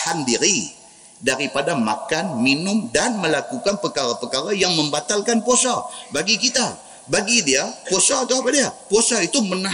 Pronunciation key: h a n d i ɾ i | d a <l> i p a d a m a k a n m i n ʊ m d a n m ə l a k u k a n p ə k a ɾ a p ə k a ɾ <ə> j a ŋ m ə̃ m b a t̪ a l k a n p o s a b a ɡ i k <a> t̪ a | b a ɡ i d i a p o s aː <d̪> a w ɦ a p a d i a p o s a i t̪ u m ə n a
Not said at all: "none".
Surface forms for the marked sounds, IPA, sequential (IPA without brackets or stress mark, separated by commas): ɾ, a, i, t̪